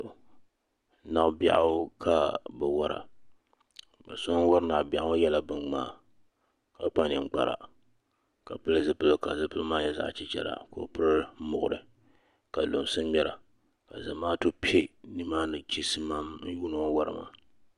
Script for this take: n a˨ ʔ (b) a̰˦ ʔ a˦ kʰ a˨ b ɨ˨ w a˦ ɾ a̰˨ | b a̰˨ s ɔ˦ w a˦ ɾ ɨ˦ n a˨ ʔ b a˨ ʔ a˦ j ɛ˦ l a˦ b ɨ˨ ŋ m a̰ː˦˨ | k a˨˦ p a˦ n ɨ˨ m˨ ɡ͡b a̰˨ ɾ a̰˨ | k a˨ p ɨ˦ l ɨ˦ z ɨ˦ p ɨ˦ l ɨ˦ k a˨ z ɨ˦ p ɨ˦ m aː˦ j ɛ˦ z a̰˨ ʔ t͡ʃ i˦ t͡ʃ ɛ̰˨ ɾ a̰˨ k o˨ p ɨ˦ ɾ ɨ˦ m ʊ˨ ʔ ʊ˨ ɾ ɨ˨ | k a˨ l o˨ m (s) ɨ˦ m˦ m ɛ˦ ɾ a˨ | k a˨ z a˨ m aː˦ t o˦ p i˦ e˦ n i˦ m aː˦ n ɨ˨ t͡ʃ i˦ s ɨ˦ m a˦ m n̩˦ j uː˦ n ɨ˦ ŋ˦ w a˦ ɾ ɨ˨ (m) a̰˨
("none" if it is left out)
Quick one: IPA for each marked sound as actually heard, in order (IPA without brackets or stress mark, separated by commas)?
b, s, m